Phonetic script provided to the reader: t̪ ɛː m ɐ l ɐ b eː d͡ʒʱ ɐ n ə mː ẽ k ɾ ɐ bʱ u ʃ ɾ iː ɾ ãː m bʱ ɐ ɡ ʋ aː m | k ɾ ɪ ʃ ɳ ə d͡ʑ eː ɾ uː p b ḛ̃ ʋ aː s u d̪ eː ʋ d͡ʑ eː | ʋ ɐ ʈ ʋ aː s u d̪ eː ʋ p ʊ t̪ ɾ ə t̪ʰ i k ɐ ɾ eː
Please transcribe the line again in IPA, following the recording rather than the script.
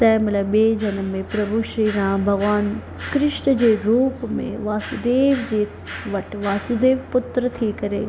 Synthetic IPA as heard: t̪ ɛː m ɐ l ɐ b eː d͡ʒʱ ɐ n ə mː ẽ p ɾ ɐ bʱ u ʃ ɾ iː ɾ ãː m bʱ ɐ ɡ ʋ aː n | k ɾ ɪ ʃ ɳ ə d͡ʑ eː ɾ uː p m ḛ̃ ʋ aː s u d̪ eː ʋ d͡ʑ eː | ʋ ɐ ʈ ʋ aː s u d̪ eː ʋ p ʊ t̪ ɾ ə t̪ʰ i k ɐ ɾ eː